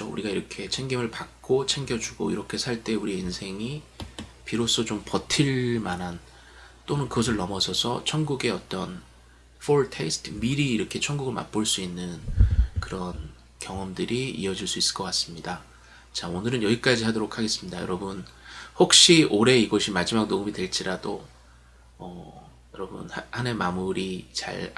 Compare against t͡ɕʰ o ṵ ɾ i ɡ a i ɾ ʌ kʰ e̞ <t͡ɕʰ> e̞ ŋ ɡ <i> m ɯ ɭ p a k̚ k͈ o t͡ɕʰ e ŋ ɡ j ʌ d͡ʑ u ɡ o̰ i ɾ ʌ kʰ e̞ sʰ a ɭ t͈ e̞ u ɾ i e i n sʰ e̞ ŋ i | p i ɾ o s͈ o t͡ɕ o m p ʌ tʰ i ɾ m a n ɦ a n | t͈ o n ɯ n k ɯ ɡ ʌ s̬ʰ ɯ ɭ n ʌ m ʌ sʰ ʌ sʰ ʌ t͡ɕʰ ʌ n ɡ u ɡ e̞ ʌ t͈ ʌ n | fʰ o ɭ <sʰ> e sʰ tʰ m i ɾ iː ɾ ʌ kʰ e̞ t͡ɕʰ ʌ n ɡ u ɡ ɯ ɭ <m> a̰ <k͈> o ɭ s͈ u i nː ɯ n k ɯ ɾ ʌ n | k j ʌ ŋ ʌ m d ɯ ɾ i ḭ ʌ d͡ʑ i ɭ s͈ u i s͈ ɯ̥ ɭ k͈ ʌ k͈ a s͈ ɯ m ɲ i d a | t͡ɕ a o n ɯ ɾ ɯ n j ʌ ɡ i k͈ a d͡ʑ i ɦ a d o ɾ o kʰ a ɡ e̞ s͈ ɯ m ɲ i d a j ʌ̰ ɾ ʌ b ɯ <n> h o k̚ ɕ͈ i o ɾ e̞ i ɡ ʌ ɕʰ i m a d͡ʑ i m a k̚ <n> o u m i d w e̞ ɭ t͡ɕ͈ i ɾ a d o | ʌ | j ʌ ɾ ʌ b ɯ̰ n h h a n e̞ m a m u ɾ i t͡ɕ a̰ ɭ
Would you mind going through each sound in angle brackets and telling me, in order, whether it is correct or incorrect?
correct, correct, incorrect: tʰ, correct, incorrect: p͈, correct, correct

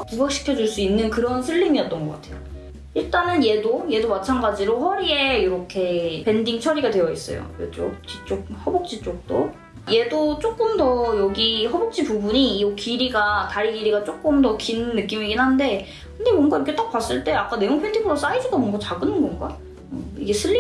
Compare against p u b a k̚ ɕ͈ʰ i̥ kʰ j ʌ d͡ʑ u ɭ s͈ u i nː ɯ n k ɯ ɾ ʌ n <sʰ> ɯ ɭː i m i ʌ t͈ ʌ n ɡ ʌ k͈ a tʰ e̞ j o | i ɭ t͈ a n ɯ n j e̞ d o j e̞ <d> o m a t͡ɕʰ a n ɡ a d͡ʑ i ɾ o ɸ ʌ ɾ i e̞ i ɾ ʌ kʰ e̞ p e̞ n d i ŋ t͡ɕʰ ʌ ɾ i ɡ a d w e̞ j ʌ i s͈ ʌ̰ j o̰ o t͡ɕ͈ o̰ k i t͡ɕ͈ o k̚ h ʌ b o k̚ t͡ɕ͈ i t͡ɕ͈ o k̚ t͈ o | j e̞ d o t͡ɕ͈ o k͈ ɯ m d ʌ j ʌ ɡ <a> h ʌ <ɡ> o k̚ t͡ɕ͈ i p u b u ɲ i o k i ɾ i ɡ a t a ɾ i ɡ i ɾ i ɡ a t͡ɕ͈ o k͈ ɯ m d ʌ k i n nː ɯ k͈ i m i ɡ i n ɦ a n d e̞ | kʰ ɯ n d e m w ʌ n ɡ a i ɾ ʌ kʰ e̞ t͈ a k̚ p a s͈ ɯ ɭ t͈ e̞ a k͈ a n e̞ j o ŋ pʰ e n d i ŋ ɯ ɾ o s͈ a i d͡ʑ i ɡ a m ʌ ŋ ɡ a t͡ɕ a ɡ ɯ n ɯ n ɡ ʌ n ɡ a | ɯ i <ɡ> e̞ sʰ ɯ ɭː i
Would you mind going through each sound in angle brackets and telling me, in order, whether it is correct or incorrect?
correct, correct, incorrect: i, incorrect: b, correct

